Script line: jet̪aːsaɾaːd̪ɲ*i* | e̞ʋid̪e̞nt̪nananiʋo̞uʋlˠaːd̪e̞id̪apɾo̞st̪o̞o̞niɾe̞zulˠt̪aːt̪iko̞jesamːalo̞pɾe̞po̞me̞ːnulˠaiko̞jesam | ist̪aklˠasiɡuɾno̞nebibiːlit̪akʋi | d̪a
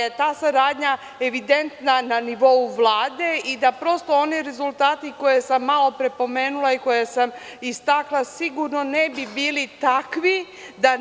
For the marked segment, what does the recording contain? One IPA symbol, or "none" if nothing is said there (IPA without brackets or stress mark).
a